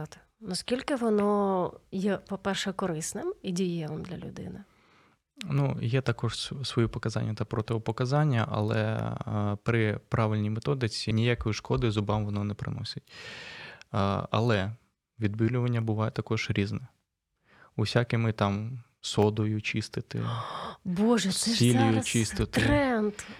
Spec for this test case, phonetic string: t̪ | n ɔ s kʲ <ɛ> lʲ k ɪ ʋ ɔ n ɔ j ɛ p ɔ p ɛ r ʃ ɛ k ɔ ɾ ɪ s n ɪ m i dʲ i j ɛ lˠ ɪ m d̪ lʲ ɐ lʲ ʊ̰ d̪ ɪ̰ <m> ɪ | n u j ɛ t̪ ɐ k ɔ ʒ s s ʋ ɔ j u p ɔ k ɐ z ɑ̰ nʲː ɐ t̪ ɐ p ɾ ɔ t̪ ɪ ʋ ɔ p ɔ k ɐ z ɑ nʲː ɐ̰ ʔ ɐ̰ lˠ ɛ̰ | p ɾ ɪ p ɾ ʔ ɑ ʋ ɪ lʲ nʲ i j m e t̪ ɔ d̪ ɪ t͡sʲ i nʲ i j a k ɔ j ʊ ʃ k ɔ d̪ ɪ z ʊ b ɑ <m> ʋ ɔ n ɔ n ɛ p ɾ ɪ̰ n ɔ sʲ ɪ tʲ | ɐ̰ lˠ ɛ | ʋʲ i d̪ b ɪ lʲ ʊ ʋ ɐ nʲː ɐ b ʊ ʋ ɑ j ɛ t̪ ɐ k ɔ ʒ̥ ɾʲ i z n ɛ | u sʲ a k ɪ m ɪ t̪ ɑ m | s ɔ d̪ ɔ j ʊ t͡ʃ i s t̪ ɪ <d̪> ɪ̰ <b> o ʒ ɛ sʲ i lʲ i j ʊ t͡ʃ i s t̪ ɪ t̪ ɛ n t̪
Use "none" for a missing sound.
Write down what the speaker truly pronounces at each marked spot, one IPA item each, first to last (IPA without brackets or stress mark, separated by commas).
i, n, m, t̪, b